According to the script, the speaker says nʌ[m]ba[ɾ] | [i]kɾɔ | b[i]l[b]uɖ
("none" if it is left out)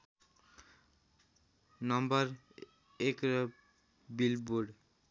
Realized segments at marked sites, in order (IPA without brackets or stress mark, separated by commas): m, ɾ, e, i, b